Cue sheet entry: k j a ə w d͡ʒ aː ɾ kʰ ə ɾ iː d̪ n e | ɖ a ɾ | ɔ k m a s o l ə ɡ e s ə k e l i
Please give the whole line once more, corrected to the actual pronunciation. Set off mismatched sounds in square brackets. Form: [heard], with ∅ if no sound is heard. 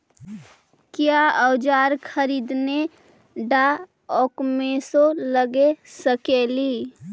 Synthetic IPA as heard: k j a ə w d͡ʒ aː ɾ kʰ ə ɾ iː d̪ n e | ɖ a [∅] | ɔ k m [e] s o l ə ɡ e s ə k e l i